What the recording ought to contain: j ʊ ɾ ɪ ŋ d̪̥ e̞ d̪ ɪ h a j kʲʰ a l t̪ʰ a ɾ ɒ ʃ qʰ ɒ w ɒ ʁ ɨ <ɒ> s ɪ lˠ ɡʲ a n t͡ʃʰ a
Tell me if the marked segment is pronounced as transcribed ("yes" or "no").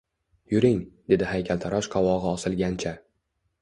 yes